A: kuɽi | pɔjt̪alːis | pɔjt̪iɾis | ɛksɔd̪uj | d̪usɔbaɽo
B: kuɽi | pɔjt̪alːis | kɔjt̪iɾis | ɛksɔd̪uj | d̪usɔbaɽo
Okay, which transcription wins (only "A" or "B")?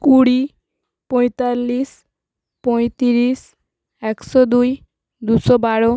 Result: A